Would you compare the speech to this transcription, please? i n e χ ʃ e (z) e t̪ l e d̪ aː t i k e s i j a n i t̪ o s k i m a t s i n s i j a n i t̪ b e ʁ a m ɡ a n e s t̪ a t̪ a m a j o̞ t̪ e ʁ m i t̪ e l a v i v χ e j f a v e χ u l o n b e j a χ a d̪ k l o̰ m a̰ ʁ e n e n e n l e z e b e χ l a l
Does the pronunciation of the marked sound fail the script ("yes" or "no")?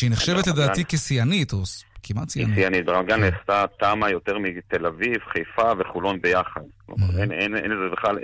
yes